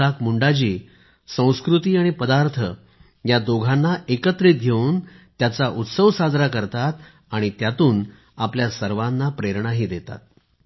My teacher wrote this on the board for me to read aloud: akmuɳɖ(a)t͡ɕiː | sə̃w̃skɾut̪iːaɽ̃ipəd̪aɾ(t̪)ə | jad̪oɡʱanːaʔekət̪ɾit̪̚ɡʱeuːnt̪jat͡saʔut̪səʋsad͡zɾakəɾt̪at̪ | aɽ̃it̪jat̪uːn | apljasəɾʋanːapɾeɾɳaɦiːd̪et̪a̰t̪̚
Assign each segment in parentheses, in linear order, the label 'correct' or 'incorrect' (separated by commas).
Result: correct, incorrect